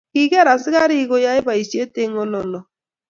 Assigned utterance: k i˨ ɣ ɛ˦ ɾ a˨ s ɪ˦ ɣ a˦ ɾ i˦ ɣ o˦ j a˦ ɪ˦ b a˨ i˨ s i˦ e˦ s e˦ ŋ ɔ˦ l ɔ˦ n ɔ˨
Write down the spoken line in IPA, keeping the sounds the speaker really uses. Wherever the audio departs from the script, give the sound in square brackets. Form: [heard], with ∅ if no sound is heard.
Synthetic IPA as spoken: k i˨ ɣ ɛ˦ ɾ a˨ s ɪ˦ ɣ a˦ ɾ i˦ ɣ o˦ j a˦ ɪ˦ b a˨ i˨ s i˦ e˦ [t] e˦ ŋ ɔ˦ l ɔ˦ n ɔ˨